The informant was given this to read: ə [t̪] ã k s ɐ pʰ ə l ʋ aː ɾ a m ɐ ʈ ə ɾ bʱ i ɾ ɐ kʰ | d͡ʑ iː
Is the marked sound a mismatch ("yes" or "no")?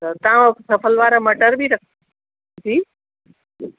no